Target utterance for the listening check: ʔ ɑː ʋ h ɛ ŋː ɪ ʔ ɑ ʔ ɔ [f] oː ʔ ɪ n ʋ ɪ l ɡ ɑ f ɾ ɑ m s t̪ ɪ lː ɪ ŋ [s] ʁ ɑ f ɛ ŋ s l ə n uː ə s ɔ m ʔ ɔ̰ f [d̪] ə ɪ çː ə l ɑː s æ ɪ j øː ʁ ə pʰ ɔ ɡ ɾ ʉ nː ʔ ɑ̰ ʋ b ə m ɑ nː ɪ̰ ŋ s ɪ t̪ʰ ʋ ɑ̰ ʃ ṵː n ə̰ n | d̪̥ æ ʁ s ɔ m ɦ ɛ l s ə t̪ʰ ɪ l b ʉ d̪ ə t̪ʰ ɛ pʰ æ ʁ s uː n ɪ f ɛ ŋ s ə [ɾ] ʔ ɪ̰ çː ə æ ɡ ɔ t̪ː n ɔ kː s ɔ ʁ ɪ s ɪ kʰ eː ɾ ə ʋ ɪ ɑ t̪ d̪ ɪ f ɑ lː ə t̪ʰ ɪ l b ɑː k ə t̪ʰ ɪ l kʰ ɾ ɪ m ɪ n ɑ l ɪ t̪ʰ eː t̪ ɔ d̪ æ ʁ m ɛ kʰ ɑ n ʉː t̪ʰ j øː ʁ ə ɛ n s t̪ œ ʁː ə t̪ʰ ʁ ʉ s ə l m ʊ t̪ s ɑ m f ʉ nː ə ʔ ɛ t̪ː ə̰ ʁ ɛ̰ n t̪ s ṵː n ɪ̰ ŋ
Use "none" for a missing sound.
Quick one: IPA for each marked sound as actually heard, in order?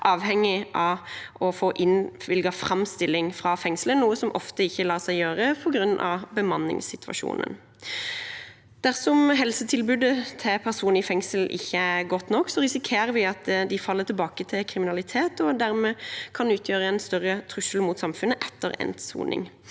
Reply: f, f, t̪, l

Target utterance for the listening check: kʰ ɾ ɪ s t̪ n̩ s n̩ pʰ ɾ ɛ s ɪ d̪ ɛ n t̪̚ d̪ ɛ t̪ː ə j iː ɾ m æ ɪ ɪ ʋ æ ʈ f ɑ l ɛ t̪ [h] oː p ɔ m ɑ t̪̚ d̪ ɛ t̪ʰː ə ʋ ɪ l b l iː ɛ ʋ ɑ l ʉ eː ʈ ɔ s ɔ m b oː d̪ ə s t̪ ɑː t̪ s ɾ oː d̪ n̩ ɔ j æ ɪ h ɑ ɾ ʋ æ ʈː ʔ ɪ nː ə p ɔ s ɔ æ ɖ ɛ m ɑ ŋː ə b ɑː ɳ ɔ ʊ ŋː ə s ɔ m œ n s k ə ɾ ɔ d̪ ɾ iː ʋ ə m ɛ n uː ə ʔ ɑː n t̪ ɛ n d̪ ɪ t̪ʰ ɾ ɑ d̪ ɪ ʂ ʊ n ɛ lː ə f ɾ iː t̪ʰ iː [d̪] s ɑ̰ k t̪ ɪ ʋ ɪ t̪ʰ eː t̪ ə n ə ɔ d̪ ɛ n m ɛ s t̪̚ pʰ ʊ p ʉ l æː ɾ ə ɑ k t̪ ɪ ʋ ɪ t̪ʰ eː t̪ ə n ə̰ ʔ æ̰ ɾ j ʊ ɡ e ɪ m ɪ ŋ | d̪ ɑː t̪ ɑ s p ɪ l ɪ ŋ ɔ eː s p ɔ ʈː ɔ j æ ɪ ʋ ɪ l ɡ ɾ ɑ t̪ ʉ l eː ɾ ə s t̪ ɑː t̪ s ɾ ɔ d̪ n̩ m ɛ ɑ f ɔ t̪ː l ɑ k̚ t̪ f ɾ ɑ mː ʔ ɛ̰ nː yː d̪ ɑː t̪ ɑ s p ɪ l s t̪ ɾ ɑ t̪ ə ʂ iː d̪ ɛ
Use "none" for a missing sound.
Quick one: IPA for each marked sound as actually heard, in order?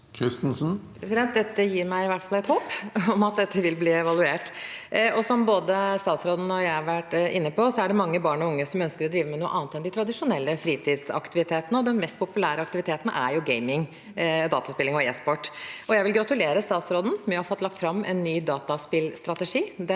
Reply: h, d̪

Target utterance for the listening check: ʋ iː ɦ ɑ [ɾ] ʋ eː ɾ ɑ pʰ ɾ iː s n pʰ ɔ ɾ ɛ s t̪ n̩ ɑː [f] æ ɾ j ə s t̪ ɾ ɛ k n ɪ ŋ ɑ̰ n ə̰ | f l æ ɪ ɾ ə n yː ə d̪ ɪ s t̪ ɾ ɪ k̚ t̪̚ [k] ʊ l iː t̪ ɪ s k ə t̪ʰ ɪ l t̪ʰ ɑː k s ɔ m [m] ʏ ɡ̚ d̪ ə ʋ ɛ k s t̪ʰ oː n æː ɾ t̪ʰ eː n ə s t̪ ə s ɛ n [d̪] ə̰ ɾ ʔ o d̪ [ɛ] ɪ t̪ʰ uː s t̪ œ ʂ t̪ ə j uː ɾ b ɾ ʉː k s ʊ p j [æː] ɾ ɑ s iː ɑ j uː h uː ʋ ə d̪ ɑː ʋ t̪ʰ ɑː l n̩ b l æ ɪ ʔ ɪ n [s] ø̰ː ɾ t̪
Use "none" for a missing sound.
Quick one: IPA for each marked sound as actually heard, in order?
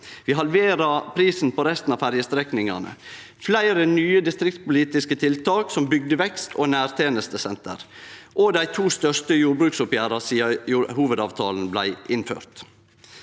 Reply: l, f, p, b, t̪, æ, æː, f

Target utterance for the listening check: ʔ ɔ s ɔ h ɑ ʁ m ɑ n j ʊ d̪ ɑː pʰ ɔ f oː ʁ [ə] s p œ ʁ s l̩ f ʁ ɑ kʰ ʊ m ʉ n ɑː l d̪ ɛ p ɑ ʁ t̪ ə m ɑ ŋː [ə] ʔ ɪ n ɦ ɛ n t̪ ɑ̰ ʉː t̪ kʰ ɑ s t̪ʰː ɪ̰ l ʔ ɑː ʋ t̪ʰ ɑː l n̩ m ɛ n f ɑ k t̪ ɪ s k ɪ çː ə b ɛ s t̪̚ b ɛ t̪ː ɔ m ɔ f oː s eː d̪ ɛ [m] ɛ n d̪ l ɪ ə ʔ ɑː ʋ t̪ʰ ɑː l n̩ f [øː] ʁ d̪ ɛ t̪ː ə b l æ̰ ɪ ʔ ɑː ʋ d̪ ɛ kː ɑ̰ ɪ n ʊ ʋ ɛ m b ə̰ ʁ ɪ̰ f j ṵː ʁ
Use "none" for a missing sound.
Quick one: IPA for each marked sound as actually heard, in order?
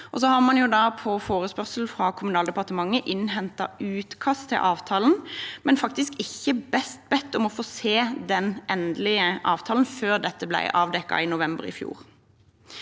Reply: ə, ə, n, øː

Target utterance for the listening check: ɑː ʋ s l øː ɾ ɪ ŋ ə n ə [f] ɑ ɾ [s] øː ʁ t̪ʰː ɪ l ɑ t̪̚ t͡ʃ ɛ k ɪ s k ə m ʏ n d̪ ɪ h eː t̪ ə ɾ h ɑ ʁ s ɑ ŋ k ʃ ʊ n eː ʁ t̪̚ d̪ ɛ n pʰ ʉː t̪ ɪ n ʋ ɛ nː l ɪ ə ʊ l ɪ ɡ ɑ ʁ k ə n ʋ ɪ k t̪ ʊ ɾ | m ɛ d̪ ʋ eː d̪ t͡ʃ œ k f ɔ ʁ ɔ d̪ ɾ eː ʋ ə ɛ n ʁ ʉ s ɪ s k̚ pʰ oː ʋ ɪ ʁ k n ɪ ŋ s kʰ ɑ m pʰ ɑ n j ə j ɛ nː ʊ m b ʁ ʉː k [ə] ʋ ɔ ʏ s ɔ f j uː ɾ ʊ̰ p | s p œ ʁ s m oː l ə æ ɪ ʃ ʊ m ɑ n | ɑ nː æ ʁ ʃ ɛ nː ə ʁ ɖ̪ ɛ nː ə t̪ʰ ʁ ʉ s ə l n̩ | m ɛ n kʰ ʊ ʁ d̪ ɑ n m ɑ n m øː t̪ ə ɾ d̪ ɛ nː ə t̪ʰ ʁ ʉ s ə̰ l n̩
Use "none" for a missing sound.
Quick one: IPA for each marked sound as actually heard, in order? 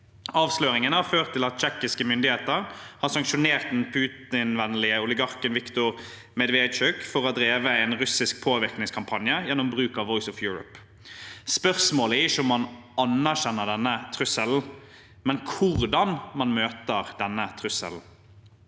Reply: h, f, ɑ

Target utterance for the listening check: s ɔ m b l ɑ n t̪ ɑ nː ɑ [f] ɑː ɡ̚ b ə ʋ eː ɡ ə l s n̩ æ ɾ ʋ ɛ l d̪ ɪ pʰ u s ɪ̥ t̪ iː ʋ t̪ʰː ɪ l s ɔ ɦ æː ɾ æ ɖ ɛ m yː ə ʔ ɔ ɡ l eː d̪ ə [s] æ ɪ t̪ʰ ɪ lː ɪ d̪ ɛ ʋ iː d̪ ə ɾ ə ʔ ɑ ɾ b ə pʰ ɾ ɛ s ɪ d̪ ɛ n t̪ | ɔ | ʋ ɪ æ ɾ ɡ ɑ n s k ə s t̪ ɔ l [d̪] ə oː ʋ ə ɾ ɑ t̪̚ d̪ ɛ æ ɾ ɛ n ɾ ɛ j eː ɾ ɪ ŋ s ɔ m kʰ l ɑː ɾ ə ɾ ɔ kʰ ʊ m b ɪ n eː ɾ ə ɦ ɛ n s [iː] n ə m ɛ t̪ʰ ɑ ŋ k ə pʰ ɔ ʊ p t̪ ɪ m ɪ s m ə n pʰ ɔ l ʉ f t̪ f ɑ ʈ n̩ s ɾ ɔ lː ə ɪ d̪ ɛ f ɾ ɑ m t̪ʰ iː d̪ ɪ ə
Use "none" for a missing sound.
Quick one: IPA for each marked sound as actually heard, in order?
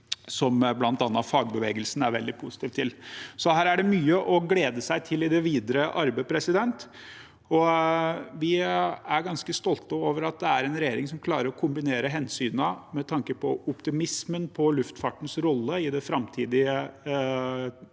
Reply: f, s, t̪, yː

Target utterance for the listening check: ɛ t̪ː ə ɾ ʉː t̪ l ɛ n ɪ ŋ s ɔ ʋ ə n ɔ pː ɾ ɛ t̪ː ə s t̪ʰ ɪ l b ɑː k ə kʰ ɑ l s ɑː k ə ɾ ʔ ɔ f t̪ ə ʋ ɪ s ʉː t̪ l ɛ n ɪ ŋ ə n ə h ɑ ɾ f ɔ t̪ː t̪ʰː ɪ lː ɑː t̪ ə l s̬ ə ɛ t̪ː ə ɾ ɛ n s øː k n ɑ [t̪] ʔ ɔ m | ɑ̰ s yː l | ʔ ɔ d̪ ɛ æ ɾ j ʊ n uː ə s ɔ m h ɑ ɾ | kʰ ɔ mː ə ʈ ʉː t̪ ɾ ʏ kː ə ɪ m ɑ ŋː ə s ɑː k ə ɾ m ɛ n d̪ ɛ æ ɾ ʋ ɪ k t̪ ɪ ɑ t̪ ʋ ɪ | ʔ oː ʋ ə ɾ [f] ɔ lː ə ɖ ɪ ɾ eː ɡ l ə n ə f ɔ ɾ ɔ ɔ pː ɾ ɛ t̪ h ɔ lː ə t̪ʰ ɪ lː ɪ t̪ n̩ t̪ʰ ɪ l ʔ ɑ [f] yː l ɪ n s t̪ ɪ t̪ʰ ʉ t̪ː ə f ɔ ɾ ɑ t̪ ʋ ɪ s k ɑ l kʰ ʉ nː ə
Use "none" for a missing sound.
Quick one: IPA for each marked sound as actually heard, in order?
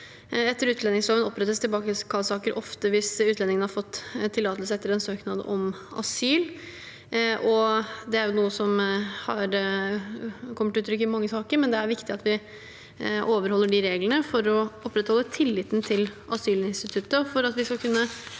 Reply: d̪, h, s

